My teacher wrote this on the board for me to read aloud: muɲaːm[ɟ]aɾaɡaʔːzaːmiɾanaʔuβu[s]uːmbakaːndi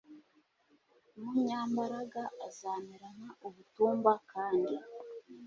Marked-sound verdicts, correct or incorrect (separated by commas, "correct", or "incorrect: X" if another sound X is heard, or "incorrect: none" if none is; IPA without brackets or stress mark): incorrect: b, incorrect: t